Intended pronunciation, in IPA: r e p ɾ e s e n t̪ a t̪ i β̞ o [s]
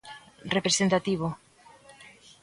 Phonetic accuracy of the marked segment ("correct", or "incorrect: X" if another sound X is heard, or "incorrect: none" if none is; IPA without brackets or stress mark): incorrect: none